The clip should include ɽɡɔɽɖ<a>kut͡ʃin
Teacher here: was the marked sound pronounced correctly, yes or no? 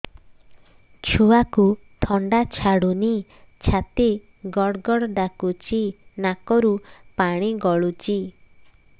yes